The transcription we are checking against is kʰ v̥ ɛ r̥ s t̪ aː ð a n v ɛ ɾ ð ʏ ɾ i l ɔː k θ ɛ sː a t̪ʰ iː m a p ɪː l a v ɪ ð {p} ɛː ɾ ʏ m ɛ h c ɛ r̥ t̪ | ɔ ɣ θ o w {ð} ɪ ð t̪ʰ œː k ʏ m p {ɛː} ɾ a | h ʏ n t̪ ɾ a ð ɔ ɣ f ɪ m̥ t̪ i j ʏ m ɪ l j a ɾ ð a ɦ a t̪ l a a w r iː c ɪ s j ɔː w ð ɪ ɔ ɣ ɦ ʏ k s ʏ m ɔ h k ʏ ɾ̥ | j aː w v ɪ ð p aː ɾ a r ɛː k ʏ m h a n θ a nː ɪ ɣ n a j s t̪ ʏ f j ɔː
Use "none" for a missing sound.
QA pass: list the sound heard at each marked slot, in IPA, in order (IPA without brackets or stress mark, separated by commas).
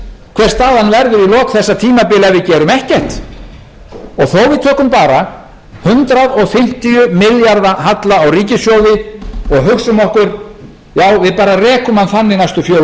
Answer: c, v, aː